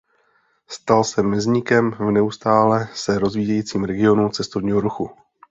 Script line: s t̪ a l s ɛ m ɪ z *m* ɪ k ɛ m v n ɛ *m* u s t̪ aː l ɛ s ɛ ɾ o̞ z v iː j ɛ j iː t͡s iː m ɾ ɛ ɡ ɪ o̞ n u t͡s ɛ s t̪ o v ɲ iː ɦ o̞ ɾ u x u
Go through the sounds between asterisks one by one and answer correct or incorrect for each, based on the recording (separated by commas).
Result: incorrect, incorrect